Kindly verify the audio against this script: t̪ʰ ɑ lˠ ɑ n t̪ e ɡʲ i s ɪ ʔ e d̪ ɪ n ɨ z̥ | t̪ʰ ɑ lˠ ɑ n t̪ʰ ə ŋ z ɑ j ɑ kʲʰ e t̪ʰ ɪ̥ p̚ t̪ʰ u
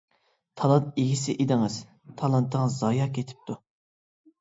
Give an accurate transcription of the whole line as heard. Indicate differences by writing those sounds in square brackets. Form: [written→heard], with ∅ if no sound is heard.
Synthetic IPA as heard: t̪ʰ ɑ lˠ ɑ n t̪ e ɡʲ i s ɪ ʔ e d̪ ɪ [n→ŋ] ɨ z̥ | t̪ʰ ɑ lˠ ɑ n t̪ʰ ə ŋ z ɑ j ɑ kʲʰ e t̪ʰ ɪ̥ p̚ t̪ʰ u